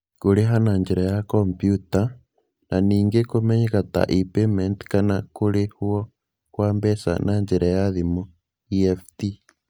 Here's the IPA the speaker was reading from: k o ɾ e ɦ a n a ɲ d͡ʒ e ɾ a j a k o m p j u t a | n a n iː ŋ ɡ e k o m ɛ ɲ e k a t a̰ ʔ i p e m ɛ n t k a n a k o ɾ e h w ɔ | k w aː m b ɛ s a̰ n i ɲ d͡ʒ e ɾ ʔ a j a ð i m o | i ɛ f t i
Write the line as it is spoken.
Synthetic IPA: k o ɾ e ɦ a n a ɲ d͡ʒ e ɾ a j a k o m p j u t a | n a n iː ŋ ɡ e k o m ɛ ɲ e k a t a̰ ʔ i p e m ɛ n t k a n a k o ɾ e h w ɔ | k w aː m b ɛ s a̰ n a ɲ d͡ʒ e ɾ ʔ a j a ð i m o | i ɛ f t i